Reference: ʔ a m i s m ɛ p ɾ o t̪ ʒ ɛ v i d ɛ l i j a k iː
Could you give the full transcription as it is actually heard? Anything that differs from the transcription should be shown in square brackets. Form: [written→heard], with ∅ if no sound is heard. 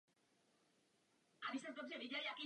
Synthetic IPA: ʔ a [m→b] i s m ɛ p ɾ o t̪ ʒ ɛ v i [d→ɟ] ɛ l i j a k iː